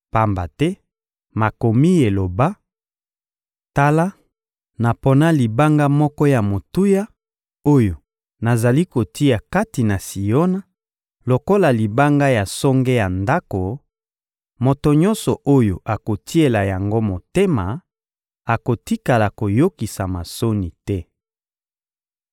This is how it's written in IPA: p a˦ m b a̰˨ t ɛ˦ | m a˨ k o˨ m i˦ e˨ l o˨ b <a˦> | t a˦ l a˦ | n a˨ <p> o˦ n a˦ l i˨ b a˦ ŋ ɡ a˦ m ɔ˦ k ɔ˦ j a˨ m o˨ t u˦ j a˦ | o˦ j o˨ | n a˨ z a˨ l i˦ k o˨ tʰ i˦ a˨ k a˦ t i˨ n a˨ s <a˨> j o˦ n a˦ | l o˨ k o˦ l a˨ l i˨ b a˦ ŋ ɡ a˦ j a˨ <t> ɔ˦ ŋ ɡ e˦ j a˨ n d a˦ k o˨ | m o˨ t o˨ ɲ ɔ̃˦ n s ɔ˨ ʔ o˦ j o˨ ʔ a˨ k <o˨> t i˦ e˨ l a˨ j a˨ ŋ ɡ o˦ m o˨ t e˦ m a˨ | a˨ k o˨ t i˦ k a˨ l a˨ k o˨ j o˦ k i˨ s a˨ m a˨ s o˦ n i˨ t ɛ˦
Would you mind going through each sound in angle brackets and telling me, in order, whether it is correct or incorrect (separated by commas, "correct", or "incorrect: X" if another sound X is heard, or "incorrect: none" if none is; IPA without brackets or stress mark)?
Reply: correct, correct, incorrect: i˨, incorrect: s, correct